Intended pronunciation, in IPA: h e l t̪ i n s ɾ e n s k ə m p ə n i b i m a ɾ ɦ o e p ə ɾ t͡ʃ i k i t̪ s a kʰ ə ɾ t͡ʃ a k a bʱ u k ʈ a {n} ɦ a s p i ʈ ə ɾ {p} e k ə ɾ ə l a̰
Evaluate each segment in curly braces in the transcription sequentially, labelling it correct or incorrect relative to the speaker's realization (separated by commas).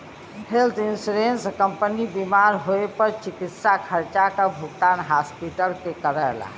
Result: correct, incorrect